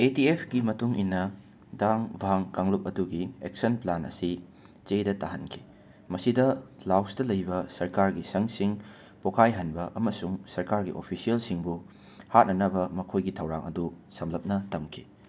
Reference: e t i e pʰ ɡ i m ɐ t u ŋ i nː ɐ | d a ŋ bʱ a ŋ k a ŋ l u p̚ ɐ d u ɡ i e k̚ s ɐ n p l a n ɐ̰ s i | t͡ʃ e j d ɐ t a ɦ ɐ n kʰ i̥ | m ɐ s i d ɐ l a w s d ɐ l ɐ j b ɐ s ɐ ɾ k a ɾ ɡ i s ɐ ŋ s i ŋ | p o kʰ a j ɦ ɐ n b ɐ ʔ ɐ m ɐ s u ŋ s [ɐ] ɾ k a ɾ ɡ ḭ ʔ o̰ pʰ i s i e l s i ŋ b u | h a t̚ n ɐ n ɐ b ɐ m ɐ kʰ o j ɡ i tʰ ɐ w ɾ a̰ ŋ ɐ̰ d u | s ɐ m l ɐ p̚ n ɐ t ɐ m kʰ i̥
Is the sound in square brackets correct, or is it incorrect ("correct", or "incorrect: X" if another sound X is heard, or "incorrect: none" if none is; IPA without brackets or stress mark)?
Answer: correct